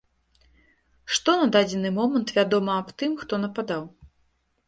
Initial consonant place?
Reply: retroflex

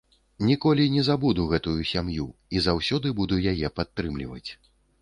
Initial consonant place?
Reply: alveolar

